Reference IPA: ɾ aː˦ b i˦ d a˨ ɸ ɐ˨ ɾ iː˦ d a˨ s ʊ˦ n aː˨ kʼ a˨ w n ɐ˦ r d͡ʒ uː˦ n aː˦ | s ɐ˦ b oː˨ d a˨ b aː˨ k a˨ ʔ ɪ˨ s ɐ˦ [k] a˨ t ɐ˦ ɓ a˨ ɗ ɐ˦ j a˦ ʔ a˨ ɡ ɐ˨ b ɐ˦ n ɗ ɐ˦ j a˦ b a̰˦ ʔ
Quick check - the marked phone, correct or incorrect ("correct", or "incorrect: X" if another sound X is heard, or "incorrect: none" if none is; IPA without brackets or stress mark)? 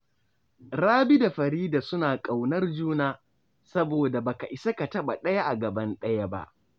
correct